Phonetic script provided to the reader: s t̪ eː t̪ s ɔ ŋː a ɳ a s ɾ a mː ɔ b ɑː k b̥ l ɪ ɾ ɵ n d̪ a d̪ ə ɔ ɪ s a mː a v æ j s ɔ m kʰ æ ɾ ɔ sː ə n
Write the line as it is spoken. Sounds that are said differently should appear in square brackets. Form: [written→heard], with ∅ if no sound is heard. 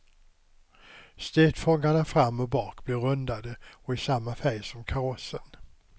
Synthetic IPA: s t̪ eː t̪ [s→f] ɔ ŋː a ɳ a [s→f] ɾ a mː ɔ b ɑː k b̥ l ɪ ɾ ɵ n d̪ a d̪ ə ɔ ɪ s a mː a [v→f] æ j s ɔ m kʰ [æ→a] ɾ ɔ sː ə n